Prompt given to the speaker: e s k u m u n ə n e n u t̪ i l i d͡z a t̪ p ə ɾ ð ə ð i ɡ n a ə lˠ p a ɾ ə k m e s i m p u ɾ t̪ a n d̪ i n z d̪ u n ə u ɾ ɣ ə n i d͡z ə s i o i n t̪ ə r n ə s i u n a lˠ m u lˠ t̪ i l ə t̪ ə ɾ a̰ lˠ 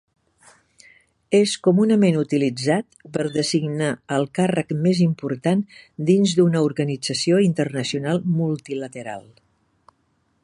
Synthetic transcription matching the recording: e s k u m u n ə m e n u t̪ i l i d͡z a t̪ p ə ɾ ð ə z i ɡ n a ə lˠ k a r ə k m e z i m p u ɾ t̪ a n d̪ i n z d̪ u n ə u ɾ ɣ ə n i d͡z ə s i o i n t̪ ə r n ə s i u n a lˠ m u lˠ t̪ i l ə t̪ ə ɾ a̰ lˠ